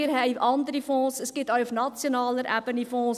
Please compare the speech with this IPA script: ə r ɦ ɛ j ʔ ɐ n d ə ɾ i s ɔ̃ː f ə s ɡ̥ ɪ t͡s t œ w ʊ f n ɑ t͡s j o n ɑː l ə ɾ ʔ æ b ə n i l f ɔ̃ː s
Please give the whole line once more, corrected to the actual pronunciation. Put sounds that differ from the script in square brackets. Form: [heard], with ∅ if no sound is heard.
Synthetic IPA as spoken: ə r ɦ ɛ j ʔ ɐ n d ə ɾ i [f] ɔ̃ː [s] ə s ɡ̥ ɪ [∅] t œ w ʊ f n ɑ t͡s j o n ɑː l ə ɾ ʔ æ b ə n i [∅] f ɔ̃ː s